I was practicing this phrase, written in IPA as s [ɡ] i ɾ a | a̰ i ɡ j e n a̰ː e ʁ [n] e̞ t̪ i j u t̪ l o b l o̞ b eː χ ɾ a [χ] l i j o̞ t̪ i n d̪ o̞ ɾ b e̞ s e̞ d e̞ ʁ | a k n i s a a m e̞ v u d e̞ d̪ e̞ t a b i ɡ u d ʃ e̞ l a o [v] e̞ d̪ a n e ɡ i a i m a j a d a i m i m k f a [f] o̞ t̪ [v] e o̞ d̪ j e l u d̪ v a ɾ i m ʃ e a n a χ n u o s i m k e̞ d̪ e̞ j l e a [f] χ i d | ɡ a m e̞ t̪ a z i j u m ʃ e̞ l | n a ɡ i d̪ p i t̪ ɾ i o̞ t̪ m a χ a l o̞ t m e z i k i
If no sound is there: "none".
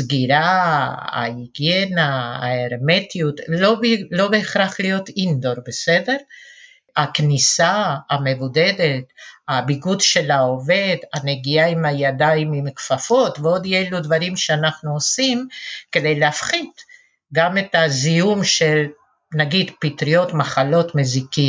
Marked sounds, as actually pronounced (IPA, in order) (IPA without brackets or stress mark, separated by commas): ɡ, m, χ, v, f, v, f